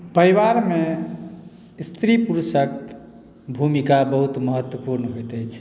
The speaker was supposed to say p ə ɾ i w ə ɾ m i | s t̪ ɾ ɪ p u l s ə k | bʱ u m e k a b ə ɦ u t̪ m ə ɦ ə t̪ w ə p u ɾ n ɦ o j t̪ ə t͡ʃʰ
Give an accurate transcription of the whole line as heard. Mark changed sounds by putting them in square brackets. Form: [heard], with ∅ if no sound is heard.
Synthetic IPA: p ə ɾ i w [a] ɾ m [e] | s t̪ ɾ [i] p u [ɾ] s ə k | bʱ u m [i] k a b ə ɦ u t̪ m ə ɦ ə t̪ w ə p u ɾ n ɦ o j t̪ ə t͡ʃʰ